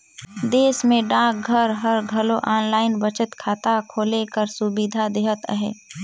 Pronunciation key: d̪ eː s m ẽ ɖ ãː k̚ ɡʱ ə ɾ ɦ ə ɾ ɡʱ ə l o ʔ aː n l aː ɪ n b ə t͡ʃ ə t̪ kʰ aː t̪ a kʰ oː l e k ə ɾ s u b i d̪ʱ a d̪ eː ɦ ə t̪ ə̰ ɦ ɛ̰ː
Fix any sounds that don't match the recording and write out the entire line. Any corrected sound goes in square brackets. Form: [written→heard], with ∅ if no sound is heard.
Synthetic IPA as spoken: d̪ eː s m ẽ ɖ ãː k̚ ɡʱ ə ɾ ɦ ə ɾ ɡʱ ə l o ʔ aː n l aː ɪ n b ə t͡ʃ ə t̪ kʰ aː t̪ a kʰ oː l e k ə ɾ s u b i d̪ʱ a d̪ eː ɦ ə t̪ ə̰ ɦ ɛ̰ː

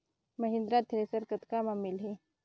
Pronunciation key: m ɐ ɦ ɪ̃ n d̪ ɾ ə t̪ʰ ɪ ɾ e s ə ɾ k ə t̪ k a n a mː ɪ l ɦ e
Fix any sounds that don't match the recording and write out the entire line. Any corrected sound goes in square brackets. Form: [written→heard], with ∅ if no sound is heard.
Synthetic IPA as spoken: m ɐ ɦ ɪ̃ n d̪ ɾ [ə→a] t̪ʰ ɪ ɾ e s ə ɾ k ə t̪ k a [n→m] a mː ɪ l ɦ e

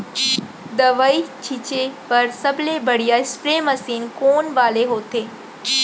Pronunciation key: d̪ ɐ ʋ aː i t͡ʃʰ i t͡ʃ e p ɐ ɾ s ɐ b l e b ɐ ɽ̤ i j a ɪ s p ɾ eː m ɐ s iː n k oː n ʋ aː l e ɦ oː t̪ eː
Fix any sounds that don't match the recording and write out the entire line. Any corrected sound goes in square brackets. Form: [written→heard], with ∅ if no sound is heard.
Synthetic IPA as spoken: d̪ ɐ ʋ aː i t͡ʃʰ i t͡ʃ e p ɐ ɾ s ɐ b l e b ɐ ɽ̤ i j a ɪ s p ɾ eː m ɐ s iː n k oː n ʋ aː l e ɦ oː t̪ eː

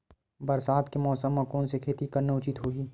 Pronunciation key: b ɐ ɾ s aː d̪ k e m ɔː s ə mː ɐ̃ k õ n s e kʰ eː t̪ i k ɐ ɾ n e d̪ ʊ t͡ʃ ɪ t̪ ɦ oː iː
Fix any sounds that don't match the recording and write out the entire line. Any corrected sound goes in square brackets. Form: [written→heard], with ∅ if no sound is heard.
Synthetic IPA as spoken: b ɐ ɾ s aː d̪ k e m ɔː s ə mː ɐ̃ k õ n s e kʰ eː t̪ i k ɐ ɾ n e [d̪→∅] ʊ t͡ʃ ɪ t̪ ɦ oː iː

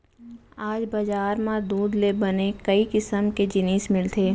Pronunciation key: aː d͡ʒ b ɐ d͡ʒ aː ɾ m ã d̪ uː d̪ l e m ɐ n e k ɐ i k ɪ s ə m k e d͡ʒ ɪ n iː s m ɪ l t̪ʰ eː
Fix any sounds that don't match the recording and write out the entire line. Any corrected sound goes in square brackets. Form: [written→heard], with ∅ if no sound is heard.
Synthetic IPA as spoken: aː d͡ʒ b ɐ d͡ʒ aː ɾ m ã d̪ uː d̪ l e [m→b] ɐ n e k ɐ i k ɪ s ə m k e d͡ʒ ɪ n iː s m ɪ l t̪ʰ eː

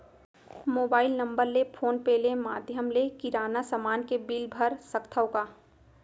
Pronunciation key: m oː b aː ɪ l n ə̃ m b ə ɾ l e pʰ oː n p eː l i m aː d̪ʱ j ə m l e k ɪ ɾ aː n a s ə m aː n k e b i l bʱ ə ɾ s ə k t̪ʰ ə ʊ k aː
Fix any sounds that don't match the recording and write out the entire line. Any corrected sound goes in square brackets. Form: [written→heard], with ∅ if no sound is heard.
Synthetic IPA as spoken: m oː b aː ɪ l n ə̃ m b ə ɾ l e pʰ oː n p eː l [i→e] m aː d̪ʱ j ə m l e k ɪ ɾ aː n a s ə m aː n k e b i l bʱ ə ɾ s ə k t̪ʰ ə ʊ k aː

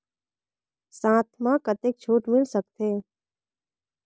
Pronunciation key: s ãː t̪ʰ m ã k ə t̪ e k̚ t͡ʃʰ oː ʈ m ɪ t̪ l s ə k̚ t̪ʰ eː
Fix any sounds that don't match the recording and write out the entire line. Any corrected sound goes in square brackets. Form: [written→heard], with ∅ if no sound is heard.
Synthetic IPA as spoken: s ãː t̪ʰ m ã k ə t̪ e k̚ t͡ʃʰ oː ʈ m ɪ [t̪→∅] l s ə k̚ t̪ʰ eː

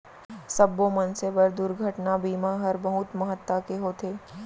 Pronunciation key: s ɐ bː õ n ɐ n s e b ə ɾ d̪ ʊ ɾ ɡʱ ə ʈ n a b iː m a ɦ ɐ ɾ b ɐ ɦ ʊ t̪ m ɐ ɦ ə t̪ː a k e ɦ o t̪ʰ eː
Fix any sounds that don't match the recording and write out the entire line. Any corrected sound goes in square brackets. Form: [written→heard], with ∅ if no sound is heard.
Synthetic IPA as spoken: s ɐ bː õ [n→m] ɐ n s e b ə ɾ d̪ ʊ ɾ ɡʱ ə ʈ n a b iː m a ɦ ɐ ɾ b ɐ ɦ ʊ t̪ m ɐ ɦ ə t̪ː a k e ɦ o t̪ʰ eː

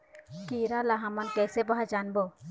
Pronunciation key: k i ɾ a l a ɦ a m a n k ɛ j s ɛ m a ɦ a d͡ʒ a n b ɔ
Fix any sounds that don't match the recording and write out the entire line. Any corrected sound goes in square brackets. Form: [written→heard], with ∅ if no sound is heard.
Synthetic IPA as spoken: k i ɾ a l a ɦ a m a n k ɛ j s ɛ [m→b] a ɦ a d͡ʒ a n b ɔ

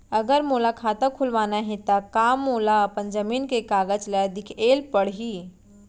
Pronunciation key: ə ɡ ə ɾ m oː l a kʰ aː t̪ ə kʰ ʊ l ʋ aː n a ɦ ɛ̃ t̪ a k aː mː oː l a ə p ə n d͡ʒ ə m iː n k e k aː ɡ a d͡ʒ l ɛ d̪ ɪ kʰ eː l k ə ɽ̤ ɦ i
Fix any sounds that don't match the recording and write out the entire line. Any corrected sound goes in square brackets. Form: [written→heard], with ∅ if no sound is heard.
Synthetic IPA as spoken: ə ɡ ə ɾ m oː l a kʰ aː t̪ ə kʰ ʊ l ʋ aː n a ɦ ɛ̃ t̪ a k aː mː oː l a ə p ə n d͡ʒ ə m iː n k e k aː ɡ [a→ə] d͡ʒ l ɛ d̪ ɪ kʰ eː l [k→p] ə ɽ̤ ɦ i

